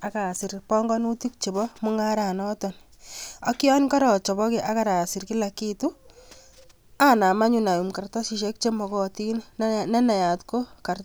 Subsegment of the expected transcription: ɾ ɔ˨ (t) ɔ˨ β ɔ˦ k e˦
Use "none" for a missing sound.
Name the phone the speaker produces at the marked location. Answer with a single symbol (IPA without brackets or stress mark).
t͡ʃ